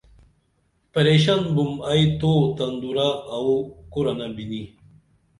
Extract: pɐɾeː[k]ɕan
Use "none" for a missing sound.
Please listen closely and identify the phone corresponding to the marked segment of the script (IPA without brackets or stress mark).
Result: none